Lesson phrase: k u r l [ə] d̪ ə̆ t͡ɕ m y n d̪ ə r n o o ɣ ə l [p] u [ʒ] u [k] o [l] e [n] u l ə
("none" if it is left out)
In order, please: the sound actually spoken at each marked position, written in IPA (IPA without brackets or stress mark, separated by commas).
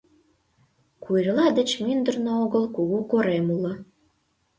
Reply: ɑ, k, ɣ, k, ɾ, m